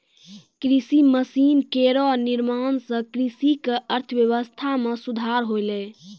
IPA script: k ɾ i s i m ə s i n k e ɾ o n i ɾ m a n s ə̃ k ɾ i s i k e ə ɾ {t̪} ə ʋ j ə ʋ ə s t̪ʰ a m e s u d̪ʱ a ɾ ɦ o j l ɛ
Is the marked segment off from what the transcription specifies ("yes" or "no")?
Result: yes